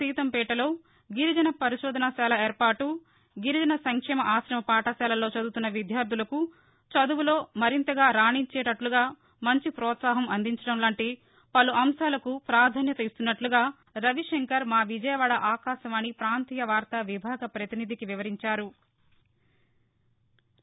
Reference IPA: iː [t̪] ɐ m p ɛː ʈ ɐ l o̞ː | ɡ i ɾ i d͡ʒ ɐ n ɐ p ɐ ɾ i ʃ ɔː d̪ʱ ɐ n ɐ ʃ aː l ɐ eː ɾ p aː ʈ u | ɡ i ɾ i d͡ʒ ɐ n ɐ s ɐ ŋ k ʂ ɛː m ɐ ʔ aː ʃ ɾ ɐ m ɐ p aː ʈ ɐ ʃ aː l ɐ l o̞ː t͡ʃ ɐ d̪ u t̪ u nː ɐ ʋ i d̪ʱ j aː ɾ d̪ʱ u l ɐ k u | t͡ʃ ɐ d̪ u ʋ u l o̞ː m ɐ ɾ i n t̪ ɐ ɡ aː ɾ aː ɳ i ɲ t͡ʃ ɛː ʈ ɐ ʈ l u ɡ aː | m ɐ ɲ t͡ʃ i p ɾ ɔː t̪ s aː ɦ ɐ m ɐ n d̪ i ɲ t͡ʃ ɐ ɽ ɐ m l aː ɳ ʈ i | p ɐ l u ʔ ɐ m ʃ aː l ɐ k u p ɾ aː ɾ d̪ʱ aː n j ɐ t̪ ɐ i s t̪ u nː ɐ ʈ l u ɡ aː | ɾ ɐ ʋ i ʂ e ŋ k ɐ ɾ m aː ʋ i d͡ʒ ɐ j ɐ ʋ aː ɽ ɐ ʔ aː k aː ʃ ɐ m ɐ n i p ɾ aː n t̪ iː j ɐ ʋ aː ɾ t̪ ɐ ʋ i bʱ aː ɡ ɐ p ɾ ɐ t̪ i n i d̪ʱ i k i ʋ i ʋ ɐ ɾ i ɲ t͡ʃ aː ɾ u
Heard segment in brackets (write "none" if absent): t̪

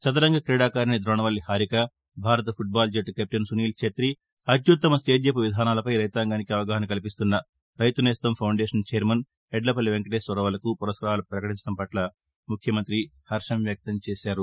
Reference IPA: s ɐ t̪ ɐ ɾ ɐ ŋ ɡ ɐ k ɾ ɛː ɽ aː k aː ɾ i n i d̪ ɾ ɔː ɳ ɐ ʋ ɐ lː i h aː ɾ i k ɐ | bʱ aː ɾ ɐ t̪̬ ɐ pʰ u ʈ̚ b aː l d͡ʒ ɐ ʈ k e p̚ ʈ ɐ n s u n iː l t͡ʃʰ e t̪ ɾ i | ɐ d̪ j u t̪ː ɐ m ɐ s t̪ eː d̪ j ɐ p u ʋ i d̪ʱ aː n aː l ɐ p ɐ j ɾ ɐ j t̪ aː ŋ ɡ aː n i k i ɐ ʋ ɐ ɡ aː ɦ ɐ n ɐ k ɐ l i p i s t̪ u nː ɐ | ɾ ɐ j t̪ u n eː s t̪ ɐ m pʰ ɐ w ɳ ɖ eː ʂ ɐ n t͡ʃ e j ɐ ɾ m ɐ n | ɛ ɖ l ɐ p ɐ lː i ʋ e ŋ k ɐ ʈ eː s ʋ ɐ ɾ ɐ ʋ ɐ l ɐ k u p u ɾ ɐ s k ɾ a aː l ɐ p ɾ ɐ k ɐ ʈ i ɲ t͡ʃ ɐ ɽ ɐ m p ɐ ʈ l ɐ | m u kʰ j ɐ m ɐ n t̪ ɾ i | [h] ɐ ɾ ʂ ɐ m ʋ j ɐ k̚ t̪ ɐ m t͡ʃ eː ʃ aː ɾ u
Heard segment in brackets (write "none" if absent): h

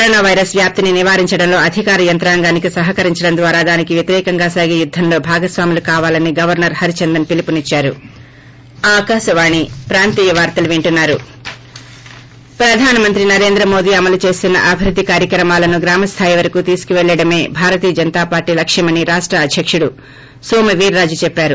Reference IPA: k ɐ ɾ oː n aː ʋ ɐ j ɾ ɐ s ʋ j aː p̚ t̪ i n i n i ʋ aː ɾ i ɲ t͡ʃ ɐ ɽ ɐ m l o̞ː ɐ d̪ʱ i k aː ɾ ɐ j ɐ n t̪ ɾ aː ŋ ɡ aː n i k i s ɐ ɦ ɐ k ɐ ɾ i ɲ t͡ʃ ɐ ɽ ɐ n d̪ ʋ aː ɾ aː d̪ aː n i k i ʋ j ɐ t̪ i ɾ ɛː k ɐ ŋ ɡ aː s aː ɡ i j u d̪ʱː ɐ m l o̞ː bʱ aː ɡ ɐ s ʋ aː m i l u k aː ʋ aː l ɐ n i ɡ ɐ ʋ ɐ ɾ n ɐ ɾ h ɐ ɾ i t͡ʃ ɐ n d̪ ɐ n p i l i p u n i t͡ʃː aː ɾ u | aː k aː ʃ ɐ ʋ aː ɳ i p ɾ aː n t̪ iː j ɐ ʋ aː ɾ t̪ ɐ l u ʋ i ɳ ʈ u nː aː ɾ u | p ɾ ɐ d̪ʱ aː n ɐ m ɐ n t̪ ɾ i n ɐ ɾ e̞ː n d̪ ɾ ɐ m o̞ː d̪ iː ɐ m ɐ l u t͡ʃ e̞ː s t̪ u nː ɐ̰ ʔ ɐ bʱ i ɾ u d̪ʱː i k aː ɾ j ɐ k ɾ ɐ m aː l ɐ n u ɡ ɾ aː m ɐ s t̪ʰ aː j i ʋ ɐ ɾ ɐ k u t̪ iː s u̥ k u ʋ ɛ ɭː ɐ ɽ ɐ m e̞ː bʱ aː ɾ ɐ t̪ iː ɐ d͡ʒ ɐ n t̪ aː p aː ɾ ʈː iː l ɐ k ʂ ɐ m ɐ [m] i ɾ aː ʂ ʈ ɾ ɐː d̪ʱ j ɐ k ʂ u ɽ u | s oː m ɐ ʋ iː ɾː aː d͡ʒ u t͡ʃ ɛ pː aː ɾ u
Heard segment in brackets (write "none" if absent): n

